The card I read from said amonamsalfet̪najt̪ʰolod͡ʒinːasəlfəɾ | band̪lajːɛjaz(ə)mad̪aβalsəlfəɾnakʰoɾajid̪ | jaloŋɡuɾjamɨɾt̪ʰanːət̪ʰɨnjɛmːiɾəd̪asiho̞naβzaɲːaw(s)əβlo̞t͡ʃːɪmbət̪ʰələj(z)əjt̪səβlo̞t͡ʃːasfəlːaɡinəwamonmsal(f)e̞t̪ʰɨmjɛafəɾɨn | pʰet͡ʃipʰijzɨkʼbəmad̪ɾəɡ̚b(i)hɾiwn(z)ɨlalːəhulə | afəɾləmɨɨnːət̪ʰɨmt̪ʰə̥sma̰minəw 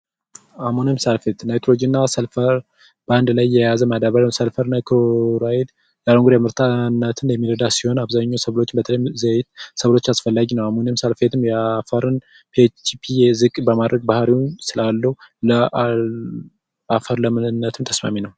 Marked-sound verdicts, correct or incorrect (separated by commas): correct, correct, correct, correct, incorrect, incorrect